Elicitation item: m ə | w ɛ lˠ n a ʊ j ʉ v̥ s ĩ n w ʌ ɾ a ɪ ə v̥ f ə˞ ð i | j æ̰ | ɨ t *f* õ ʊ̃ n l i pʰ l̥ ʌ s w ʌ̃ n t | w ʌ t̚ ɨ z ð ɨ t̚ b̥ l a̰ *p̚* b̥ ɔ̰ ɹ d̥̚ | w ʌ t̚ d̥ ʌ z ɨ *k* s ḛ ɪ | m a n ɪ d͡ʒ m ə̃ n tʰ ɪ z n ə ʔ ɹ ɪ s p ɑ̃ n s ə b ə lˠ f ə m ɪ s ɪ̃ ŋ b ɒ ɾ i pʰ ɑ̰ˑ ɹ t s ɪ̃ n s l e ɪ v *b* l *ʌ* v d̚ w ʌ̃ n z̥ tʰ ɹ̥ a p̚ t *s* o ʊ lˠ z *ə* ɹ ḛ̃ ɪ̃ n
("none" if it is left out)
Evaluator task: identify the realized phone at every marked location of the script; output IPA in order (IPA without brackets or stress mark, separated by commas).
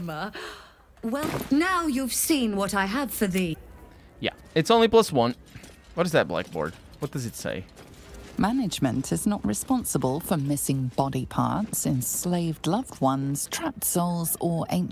s, k̚, t, d, ʌ, s, ə